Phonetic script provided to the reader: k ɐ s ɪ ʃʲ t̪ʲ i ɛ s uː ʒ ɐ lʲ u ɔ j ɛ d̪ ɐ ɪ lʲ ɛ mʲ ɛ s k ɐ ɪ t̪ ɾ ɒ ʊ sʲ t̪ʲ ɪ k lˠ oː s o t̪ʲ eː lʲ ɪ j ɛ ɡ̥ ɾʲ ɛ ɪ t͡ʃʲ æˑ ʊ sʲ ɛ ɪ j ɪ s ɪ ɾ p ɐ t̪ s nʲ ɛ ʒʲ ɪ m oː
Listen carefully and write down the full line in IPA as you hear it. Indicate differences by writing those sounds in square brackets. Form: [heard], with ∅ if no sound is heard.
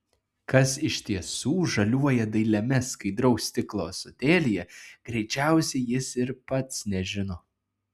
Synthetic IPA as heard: k ɐ s ɪ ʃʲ t̪ʲ i ɛ s uː ʒ ɐ lʲ u ɔ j ɛ d̪ ɐ ɪ lʲ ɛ mʲ ɛ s k ɐ ɪ [d̪] ɾ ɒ ʊ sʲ t̪ʲ ɪ k lˠ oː s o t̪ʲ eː lʲ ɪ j ɛ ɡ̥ ɾʲ ɛ ɪ t͡ʃʲ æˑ ʊ sʲ ɛ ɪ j ɪ s ɪ ɾ p ɐ t̪ s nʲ ɛ ʒʲ ɪ [n] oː